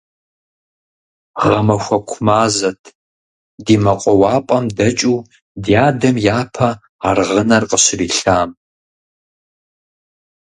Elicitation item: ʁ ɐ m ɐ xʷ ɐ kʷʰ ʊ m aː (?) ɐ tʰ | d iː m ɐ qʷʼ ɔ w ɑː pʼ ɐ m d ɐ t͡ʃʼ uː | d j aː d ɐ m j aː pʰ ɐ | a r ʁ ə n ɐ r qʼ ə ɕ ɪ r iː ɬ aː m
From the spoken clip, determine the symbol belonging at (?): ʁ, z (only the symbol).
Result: z